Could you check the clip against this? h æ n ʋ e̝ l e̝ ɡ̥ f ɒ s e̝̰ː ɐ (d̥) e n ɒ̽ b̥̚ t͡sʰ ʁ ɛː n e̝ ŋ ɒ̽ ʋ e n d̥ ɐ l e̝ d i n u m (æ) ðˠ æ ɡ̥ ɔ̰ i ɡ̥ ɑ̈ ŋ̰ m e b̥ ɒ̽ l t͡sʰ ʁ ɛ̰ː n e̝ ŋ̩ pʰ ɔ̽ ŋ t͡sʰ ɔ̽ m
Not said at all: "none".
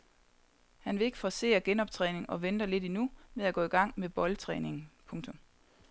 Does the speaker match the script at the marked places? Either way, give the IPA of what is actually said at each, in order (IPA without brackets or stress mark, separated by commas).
ɡ̥, e